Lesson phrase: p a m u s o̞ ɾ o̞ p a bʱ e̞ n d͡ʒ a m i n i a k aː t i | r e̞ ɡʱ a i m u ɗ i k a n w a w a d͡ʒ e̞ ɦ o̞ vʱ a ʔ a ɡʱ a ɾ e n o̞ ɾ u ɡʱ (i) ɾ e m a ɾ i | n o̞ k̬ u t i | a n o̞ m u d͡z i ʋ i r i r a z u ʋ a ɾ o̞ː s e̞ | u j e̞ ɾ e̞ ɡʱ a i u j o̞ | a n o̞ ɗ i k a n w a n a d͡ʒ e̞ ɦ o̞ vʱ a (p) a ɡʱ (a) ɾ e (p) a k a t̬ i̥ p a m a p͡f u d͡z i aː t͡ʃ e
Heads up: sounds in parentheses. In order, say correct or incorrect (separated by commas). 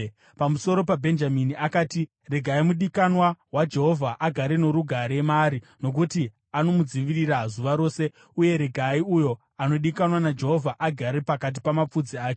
incorrect, incorrect, correct, correct